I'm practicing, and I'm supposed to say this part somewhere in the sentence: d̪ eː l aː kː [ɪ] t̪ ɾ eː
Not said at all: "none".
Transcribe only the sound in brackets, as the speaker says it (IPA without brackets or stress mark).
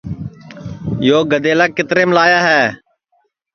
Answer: ɪ